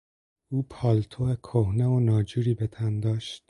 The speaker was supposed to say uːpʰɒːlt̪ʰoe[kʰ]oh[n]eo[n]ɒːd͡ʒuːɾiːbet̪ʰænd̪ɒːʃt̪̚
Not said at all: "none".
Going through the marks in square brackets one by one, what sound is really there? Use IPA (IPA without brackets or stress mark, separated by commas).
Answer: kʰ, n, n